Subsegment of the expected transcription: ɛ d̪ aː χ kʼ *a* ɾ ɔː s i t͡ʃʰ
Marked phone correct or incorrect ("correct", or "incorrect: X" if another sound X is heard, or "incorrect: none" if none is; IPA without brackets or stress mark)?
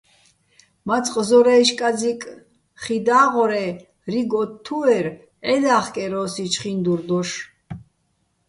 incorrect: ɛ